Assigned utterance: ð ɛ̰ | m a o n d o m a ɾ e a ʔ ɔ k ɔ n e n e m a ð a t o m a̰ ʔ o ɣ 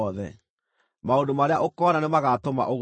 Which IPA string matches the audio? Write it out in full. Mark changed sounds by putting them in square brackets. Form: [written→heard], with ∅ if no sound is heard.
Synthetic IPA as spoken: ð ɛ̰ | m a o n d o m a ɾ e a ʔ [ɔ→o] k ɔ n [e→a] n e m a [ð→ɣ] a t o m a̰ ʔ o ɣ